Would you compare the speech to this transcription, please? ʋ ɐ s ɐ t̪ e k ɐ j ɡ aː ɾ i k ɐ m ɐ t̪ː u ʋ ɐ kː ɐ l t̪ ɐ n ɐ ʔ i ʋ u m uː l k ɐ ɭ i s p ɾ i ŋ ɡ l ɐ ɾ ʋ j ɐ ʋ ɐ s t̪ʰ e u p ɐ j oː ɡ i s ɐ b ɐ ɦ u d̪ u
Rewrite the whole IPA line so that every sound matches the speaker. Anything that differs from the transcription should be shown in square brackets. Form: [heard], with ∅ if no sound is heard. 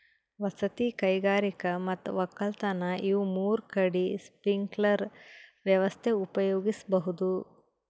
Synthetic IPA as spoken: ʋ ɐ s ɐ t̪ [i] k ɐ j ɡ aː ɾ i k ɐ m ɐ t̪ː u ʋ ɐ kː ɐ l t̪ ɐ n ɐ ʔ i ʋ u m uː [ɾ] k ɐ [ɽ] i s p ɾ i ŋ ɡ l ɐ ɾ ʋ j ɐ ʋ ɐ s t̪ʰ e u p ɐ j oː ɡ i s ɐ b ɐ ɦ u d̪ u